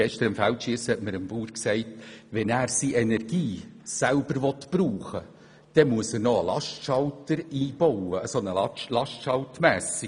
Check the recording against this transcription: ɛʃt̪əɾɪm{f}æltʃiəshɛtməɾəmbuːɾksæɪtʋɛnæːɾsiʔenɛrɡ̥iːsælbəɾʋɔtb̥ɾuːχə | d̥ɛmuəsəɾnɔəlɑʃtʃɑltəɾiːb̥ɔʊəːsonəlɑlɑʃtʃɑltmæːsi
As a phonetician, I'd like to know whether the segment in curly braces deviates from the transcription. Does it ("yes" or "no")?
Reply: no